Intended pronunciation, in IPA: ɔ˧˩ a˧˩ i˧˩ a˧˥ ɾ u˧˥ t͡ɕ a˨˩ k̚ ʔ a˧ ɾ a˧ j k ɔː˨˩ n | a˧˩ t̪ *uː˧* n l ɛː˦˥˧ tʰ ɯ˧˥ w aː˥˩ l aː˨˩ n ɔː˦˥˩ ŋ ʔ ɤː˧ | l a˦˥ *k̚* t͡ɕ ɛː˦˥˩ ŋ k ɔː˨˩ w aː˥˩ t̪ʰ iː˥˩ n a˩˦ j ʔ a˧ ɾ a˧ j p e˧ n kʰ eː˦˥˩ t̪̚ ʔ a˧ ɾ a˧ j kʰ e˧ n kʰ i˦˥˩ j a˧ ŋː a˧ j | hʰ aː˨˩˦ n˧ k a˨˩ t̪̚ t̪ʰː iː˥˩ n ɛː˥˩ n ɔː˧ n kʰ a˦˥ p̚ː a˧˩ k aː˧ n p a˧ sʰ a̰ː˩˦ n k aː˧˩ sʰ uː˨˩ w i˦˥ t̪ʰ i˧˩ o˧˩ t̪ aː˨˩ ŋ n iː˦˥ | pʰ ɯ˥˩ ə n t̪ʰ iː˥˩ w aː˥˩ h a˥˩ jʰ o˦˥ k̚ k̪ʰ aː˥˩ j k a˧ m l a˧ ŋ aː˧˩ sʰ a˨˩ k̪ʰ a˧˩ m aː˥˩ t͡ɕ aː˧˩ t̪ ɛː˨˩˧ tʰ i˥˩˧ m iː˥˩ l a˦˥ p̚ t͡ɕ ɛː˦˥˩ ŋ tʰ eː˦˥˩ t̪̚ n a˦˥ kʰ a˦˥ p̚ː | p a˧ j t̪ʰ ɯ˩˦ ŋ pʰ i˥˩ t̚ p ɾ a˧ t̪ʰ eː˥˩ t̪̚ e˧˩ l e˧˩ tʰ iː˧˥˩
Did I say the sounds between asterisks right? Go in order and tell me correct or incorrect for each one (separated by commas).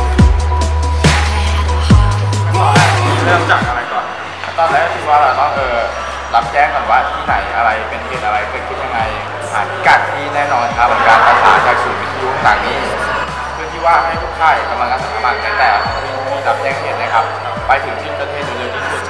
incorrect, incorrect